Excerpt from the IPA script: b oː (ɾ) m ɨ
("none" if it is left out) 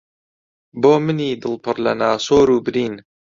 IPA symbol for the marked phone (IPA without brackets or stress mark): none